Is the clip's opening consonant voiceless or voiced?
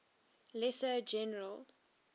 voiced